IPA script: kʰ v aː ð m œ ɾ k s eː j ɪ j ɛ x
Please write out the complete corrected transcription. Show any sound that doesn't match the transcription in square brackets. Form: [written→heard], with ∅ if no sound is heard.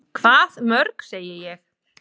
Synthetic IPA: kʰ v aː ð m œ ɾ k s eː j ɪ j ɛ x